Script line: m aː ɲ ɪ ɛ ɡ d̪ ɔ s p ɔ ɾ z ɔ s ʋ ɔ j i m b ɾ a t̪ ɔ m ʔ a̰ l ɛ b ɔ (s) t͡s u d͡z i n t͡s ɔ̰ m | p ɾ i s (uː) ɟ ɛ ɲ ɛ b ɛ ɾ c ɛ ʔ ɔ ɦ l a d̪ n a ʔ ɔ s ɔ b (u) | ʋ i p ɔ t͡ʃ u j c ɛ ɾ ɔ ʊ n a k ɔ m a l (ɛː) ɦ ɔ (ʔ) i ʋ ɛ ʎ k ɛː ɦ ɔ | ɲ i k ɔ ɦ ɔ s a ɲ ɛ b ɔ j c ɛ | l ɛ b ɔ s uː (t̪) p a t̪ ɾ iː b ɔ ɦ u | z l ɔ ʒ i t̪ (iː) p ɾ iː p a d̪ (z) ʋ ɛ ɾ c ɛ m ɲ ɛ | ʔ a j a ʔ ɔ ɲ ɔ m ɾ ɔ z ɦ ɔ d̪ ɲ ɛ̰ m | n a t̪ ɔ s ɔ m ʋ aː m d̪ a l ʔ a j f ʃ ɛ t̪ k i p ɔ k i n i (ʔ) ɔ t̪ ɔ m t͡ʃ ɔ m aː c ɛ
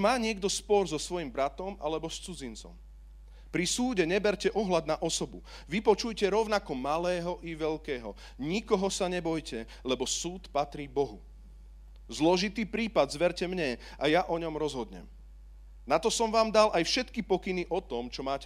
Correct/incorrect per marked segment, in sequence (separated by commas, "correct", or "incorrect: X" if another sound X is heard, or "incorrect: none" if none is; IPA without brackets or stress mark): correct, correct, correct, correct, correct, correct, correct, correct, correct